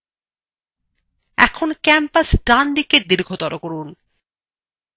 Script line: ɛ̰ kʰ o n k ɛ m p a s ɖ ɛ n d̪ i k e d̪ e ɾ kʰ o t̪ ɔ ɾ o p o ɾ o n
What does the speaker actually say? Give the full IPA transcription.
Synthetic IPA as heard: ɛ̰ kʰ o n k ɛ m p a s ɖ a n d̪ i k e d̪ i ɾ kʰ o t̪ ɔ ɾ o k o ɾ u n